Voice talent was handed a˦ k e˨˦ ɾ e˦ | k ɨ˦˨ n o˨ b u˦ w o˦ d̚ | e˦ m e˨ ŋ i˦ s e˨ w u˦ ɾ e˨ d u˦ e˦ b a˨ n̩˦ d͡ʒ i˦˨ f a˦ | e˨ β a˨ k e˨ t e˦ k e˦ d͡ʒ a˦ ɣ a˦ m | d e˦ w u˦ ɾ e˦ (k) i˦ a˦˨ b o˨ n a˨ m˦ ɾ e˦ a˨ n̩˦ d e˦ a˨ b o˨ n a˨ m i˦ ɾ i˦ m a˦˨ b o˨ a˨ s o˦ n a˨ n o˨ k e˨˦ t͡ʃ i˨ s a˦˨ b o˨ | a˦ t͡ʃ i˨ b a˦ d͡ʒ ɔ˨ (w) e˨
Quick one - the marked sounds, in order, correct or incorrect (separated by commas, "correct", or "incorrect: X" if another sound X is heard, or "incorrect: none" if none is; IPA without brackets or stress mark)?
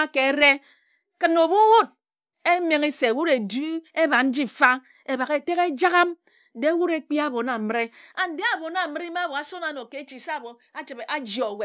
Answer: incorrect: k͡p, correct